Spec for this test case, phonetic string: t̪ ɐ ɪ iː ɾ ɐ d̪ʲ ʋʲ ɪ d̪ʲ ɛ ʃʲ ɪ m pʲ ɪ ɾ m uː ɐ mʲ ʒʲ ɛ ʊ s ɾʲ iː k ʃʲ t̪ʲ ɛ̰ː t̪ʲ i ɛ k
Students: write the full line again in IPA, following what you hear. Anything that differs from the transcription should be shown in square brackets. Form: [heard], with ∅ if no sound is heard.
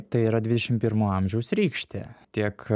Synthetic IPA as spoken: t̪ ɐ ɪ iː ɾ ɐ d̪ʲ ʋʲ ɪ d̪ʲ ɛ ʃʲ ɪ m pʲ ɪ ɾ m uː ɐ mʲ ʒʲ ɛ ʊ s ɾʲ iː k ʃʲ t̪ʲ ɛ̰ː t̪ʲ i ɛ k